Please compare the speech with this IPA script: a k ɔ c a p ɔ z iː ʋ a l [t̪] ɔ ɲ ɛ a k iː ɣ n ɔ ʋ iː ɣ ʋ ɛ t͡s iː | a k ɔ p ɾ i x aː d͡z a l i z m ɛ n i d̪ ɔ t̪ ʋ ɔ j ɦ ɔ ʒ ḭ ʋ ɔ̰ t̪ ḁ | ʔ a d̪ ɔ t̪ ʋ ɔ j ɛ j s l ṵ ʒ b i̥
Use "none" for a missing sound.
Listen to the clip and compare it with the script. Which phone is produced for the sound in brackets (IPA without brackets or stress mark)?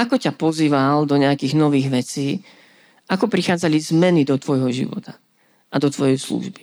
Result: d̪